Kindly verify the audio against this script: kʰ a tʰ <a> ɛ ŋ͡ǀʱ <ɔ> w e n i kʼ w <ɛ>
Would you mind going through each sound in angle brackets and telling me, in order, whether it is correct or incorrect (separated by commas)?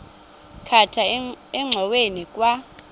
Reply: correct, correct, incorrect